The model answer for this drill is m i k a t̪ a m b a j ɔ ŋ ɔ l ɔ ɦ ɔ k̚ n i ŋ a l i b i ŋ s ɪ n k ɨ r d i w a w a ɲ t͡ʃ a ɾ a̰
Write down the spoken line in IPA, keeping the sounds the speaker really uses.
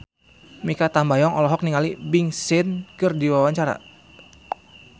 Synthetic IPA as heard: m i k a t̪ a m b a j ɔ ŋ ɔ l ɔ ɦ ɔ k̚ n i ŋ a l i b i ŋ s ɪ n k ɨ r d i w a w a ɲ t͡ʃ a ɾ a̰